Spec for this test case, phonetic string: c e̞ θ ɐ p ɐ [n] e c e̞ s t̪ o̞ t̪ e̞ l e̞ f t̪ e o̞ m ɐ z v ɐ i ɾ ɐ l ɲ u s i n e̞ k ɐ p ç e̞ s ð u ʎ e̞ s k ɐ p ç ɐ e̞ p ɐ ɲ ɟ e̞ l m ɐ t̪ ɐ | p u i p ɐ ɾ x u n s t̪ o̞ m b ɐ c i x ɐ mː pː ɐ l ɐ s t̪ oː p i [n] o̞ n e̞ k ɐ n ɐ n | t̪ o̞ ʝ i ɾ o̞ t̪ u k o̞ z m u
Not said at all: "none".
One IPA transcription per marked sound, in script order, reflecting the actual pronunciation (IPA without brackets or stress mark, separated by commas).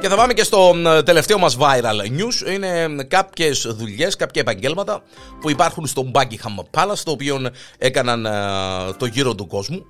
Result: m, none